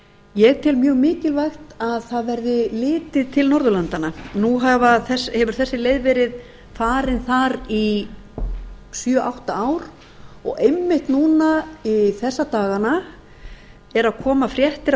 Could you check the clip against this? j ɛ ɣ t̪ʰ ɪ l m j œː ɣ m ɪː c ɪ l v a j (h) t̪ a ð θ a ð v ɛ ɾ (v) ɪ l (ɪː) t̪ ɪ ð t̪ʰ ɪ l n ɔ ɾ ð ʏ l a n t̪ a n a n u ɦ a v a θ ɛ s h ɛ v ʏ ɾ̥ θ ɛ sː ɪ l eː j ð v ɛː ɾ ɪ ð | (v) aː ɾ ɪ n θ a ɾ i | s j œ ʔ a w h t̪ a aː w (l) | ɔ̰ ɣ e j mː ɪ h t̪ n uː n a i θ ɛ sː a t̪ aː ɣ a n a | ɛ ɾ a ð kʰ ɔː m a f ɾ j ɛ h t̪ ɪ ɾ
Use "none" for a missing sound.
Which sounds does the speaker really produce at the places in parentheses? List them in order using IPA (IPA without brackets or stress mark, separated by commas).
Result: x, ð, ɪː, f, ɾ